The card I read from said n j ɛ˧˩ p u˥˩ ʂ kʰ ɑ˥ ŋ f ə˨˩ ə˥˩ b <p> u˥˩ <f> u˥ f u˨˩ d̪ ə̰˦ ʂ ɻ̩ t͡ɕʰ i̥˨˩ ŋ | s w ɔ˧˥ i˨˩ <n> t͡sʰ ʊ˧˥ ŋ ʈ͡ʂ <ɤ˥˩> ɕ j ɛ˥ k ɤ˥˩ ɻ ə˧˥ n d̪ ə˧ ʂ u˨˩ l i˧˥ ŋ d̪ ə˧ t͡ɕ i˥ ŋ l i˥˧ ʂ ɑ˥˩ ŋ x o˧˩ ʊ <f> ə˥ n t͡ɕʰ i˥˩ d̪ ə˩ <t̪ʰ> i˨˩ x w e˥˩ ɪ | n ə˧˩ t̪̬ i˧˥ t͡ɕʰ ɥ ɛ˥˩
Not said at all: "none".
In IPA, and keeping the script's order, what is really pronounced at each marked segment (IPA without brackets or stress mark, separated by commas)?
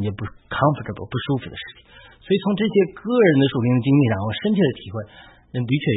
p, ʂ, none, ɤ˥˩, ʂ, t̪ʰ